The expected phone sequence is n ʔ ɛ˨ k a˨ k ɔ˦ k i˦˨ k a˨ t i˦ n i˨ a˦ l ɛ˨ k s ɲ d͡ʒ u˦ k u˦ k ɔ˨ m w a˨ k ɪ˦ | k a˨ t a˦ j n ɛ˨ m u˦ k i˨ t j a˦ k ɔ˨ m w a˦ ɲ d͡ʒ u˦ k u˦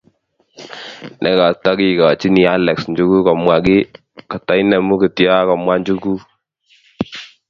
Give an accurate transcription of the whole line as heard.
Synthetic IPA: n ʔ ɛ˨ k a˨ t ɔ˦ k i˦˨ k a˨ t͡ʃ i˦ n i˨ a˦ l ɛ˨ k s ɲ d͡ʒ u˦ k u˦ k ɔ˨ m w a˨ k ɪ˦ | k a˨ t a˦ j n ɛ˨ m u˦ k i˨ t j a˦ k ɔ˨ m w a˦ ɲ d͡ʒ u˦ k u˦